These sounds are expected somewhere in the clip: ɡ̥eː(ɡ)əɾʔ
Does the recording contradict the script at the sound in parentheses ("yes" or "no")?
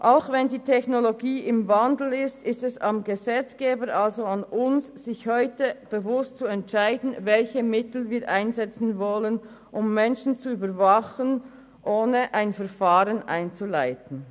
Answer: yes